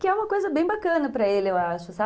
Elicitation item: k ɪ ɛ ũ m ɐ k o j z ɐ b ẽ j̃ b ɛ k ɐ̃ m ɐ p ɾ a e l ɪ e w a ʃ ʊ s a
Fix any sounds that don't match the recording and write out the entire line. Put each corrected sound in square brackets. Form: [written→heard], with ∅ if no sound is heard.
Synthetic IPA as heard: k ɪ ɛ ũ m ɐ k o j z ɐ b ẽ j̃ b [ɛ→a] k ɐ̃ [m→n] ɐ p ɾ [a→ɐ] e l ɪ e w a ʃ ʊ s a